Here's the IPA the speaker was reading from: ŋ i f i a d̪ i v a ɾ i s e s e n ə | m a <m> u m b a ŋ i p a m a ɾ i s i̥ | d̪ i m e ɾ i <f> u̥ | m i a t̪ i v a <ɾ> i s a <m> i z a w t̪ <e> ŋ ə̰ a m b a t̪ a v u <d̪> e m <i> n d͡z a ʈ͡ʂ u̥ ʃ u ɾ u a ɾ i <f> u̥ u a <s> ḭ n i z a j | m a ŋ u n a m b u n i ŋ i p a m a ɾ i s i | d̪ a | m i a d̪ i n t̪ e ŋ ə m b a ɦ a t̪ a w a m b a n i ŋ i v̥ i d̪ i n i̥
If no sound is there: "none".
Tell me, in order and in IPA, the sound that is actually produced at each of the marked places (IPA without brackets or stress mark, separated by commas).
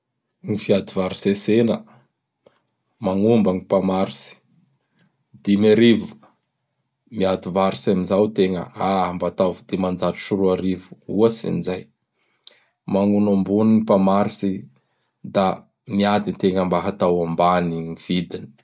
ŋ, v, ɾ, m, e, d̪, a, v, s